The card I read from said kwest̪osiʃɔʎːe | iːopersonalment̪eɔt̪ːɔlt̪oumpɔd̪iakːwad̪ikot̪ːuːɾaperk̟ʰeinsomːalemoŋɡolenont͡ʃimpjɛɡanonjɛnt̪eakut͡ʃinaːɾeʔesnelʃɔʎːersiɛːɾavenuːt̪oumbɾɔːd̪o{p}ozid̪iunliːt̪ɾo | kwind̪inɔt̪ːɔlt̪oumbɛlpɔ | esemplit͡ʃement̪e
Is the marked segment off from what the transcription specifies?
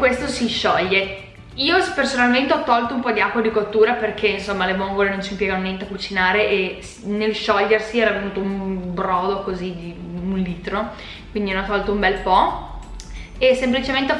yes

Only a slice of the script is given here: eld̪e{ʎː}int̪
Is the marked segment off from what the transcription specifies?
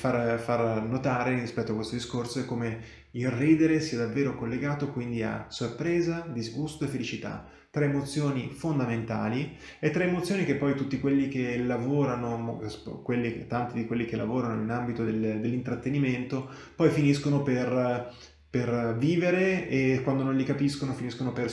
yes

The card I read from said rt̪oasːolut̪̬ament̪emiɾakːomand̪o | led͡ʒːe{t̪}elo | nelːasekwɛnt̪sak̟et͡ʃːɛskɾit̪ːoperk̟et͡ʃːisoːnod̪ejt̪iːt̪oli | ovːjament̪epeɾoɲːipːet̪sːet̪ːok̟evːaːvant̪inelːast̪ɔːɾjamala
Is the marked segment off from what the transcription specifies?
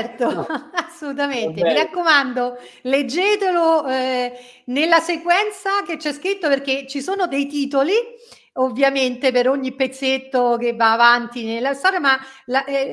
no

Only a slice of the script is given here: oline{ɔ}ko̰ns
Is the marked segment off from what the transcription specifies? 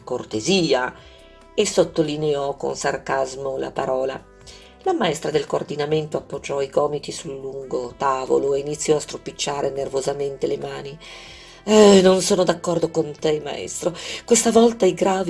no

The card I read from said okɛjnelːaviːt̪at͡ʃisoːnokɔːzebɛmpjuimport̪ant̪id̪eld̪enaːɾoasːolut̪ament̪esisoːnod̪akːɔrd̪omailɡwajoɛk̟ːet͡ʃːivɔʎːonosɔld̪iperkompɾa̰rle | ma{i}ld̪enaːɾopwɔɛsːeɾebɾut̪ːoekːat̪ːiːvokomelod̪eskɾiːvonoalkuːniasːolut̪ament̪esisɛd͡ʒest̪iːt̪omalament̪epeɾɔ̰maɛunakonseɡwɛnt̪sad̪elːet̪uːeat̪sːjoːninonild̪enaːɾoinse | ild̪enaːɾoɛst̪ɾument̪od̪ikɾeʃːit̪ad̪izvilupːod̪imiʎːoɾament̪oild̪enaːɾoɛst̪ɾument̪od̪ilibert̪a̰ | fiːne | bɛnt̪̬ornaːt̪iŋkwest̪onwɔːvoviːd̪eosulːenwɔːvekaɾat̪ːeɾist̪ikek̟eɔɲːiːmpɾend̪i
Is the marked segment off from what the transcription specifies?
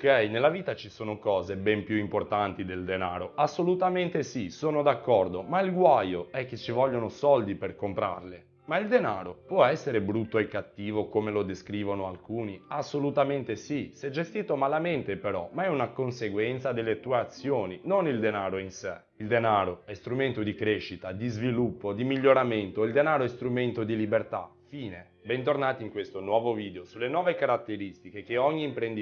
no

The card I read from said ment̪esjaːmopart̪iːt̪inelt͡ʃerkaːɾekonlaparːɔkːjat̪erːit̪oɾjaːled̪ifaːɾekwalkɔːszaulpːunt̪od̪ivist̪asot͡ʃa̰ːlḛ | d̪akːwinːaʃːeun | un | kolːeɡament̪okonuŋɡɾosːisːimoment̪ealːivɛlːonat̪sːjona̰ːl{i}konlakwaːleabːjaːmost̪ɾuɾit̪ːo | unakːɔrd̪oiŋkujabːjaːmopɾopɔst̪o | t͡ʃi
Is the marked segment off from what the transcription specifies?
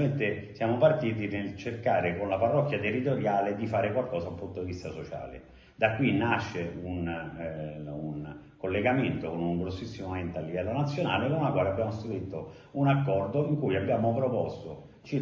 yes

